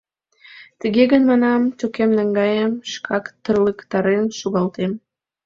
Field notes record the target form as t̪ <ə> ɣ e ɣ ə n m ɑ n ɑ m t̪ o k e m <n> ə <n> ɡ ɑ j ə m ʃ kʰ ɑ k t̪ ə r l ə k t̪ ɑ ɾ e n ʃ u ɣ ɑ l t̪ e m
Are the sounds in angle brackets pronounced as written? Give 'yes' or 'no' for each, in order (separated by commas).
yes, yes, no